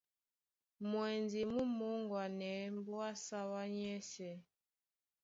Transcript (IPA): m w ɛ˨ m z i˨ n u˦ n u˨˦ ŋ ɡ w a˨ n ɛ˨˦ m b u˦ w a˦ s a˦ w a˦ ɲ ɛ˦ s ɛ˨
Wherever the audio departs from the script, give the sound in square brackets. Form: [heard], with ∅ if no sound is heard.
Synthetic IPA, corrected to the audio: m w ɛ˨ [n] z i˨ [m] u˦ [m] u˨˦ ŋ ɡ w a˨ n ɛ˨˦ m b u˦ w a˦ s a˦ w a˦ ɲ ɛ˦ s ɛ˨